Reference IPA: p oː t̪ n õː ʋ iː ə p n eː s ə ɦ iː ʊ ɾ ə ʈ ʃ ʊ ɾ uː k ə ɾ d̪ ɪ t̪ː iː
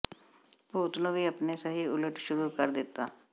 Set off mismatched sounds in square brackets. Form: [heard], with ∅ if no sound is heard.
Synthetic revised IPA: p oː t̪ n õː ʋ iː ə p n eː s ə ɦ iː ʊ [l] ə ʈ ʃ ʊ ɾ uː k ə ɾ d̪ ɪ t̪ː [aː]